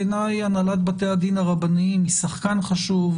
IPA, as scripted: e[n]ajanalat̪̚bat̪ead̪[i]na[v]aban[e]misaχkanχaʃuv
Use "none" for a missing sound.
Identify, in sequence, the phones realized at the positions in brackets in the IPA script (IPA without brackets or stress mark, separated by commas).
n, i, ʁ, i